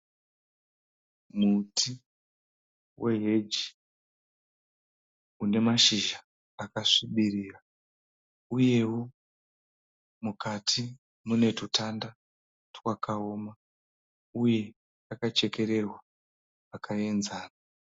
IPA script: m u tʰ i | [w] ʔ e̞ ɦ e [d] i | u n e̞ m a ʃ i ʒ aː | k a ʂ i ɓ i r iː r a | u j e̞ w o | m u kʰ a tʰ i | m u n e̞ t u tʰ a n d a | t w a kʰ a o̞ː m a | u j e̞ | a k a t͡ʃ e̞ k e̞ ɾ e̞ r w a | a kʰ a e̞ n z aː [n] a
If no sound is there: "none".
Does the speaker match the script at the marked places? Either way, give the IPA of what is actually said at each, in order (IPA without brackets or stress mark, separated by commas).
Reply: w, d͡ʒ, n